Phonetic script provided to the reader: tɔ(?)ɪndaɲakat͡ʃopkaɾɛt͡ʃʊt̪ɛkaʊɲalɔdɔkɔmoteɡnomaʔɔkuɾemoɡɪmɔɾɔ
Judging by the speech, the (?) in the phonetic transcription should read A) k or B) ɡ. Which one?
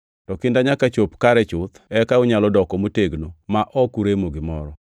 A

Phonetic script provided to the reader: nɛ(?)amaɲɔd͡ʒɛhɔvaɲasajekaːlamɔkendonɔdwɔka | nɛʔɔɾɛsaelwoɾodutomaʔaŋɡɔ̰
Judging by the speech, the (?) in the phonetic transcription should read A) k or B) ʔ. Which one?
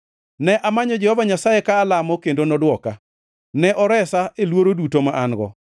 B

